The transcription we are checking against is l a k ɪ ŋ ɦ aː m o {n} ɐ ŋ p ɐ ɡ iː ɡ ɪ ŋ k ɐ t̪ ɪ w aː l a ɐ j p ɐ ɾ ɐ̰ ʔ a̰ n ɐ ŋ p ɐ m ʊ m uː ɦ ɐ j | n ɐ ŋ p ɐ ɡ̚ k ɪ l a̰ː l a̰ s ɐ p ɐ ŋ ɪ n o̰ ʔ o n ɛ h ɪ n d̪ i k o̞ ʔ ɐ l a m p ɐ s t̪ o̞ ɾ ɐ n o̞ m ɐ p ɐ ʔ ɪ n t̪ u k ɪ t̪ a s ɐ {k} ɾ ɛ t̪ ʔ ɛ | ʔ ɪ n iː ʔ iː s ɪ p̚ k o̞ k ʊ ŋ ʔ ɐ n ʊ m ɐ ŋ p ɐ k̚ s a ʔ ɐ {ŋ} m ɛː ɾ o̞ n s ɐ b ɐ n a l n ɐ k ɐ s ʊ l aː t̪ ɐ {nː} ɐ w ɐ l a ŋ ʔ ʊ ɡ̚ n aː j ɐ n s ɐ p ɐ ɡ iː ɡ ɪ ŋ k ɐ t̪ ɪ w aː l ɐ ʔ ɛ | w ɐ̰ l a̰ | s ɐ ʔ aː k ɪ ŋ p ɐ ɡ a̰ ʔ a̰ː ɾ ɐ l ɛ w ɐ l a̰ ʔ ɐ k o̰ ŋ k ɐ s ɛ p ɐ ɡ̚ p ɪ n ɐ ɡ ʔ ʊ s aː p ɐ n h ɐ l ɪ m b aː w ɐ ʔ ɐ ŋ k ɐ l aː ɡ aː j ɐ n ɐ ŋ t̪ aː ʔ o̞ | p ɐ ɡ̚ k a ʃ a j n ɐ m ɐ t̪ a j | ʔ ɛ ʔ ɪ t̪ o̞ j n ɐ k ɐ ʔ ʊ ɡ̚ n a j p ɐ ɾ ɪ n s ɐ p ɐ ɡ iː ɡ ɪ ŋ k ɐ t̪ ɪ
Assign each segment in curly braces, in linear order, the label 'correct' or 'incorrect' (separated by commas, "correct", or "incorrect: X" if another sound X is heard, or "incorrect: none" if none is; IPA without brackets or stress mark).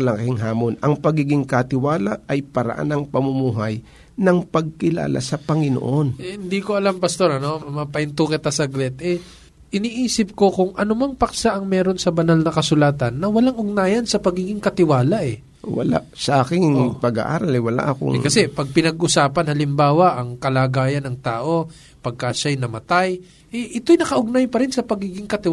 correct, incorrect: ɡ, correct, correct